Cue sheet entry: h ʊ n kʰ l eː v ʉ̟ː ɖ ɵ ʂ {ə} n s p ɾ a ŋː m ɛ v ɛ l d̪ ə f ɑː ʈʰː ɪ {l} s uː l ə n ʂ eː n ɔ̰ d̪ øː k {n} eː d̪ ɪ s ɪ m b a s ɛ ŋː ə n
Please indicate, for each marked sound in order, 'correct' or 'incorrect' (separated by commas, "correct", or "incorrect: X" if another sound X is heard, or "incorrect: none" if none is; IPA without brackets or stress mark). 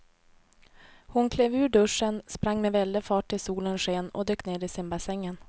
correct, correct, correct